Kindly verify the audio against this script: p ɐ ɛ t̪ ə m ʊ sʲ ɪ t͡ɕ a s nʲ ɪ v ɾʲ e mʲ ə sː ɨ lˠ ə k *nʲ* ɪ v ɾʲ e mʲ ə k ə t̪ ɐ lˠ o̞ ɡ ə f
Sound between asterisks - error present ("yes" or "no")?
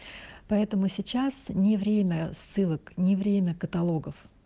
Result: no